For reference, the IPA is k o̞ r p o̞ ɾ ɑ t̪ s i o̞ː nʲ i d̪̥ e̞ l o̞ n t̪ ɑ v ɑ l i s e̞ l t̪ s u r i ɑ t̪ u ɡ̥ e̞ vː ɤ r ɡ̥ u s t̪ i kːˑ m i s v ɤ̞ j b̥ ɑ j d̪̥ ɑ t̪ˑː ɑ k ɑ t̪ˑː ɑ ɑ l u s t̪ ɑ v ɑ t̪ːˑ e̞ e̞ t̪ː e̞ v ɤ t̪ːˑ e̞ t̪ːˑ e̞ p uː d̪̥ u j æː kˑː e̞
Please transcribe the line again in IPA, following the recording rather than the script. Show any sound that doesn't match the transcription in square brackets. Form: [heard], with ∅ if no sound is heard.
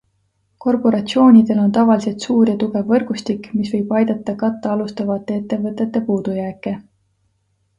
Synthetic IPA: k o̞ r p o̞ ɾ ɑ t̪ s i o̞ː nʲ i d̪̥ e̞ l o̞ n t̪ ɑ v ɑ l i s e̞ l t̪ s [uː] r [j] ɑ t̪ u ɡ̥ e̞ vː ɤ r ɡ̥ u s t̪ i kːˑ m i s v ɤ̞ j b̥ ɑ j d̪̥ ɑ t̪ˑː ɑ k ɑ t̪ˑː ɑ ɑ l u s t̪ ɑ v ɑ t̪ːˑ e̞ e̞ t̪ː e̞ v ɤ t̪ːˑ e̞ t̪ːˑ e̞ p uː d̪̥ u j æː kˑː e̞